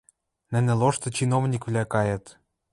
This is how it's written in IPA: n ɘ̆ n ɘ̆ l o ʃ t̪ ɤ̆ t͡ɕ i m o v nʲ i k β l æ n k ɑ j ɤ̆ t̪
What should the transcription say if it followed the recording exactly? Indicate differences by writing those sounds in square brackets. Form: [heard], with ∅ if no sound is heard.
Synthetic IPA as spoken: n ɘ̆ n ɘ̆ l o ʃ t̪ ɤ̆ t͡ɕ i [n] o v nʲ i k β l æ [∅] k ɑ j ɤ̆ t̪

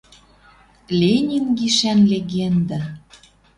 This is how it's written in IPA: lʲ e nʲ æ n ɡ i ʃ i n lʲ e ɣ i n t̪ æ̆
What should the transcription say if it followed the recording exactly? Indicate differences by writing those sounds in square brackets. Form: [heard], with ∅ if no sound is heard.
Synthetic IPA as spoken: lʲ e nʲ [i] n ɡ i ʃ [æ] n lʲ e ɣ [e] n [d̪] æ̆

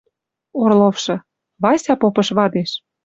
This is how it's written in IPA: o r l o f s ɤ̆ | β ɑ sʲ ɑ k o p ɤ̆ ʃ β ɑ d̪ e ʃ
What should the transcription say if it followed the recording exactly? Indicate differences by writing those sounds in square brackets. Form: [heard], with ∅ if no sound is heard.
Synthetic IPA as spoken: o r l o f [ʃ] ɤ̆ | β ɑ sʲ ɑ [p] o p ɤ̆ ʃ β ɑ d̪ e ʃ

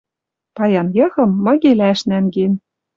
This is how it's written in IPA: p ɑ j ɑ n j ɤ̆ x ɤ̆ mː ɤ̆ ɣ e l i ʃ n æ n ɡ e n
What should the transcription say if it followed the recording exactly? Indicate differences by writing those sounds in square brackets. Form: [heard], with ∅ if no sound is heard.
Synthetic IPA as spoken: p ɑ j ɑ n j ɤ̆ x ɤ̆ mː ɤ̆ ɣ e l [æ] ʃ n æ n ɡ e n

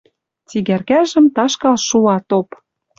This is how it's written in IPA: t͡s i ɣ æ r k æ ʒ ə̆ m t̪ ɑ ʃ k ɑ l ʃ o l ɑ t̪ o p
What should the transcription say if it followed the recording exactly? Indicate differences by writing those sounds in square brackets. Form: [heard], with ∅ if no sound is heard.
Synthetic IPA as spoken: t͡s i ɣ æ r k æ ʒ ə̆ m t̪ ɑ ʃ k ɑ l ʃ [u] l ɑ t̪ o p

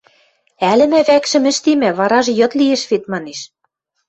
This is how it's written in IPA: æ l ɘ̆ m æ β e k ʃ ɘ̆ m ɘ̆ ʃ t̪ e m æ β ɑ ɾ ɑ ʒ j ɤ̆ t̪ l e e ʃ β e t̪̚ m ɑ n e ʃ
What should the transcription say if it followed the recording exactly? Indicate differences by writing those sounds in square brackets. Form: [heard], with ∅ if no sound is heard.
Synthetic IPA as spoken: æ l ɘ̆ m æ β [æ] k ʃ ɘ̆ m ɘ̆ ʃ t̪ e m æ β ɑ ɾ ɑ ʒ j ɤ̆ t̪ l [i] e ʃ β e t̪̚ m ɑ n e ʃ

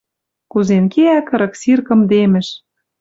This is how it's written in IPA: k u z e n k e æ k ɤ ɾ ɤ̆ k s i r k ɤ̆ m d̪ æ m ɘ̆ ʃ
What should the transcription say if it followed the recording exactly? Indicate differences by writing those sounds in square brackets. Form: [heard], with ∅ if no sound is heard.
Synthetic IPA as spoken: k u z e n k e æ k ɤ ɾ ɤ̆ k s i r k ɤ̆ m d̪ [e] m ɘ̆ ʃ

